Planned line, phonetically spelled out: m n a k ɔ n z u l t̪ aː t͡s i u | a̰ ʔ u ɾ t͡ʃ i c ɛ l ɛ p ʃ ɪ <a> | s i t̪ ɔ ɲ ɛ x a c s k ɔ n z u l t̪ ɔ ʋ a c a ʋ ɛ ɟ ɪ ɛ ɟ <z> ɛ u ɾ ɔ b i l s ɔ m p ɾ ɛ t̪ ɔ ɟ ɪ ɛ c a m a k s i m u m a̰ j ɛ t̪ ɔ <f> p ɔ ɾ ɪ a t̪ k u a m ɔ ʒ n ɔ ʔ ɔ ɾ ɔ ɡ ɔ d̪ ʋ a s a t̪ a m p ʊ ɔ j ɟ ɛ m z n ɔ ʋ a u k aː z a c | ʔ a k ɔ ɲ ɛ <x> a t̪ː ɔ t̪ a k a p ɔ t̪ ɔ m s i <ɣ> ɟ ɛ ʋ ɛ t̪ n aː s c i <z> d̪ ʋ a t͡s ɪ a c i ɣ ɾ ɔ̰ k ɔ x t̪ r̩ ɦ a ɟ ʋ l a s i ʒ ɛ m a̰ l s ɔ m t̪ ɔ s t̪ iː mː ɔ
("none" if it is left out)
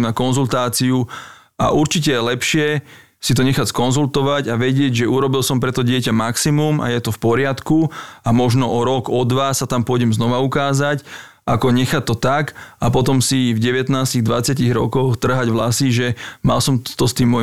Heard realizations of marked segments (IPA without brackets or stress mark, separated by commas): ɛ, ʒ, f, x, v, ɣ